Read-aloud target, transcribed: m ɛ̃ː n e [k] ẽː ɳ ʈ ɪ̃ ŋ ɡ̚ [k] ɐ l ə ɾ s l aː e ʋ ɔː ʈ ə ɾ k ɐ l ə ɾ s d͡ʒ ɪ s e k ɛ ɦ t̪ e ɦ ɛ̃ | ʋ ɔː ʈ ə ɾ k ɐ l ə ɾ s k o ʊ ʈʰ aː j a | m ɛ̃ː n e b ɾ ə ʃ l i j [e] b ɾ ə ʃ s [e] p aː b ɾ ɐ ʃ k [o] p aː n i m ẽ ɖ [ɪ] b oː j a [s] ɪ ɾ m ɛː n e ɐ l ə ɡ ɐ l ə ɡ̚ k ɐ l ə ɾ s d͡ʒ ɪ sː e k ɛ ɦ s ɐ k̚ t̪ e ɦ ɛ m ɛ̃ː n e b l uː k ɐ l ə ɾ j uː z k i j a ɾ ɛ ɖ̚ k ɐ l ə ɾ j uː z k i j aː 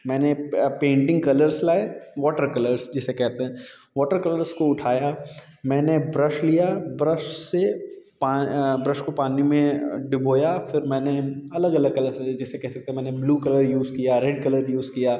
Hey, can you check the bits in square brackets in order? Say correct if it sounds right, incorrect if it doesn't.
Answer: incorrect: p, correct, incorrect: a, correct, correct, correct, incorrect: f

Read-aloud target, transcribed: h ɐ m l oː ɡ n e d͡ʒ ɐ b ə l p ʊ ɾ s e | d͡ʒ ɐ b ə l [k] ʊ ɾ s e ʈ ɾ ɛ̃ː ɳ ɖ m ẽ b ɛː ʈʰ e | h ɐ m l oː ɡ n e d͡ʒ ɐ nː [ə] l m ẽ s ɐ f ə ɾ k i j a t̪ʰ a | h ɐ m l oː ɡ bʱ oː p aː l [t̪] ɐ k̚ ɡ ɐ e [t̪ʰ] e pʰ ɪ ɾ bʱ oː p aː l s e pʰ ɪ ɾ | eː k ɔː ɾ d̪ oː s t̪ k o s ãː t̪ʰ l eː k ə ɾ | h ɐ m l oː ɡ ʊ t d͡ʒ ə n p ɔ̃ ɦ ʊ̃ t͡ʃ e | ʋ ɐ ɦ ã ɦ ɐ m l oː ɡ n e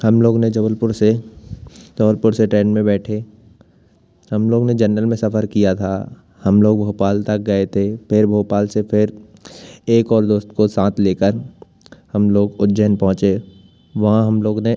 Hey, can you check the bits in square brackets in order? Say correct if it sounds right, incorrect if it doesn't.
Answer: incorrect: p, correct, correct, correct

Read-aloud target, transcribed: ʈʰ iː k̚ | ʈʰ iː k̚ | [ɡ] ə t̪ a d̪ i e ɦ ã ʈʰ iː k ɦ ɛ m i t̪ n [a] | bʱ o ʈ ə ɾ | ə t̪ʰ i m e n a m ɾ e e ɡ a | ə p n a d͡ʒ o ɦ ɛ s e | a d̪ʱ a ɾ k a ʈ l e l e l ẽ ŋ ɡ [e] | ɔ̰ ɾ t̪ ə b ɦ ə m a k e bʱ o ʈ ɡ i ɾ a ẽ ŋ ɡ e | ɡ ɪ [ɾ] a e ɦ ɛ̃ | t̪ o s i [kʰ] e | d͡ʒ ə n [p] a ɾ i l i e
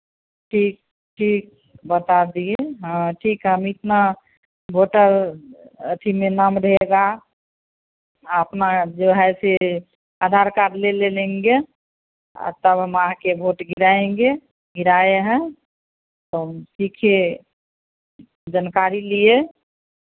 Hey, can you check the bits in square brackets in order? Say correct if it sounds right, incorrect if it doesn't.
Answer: incorrect: b, correct, correct, correct, correct, incorrect: k

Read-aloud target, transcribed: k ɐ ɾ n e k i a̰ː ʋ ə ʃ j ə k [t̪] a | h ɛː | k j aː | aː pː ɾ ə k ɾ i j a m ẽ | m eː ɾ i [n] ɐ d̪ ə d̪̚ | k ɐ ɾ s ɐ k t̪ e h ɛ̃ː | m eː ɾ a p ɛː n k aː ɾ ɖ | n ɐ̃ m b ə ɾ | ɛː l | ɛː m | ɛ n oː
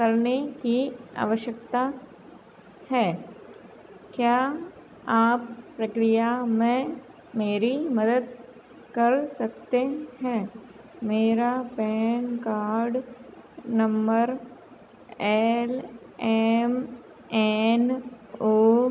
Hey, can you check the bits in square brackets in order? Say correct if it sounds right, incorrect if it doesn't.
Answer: correct, incorrect: m

